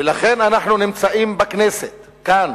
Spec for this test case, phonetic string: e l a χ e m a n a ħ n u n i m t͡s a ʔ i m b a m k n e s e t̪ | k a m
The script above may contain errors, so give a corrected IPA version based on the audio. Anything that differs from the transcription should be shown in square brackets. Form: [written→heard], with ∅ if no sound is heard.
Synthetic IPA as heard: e l a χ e [m→n] a n a ħ n u n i m t͡s a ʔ i m b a [m→∅] k n e s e t̪ | k a [m→n]